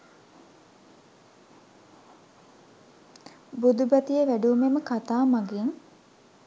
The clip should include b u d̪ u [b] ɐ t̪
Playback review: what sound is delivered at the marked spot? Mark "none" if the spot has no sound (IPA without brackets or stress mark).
b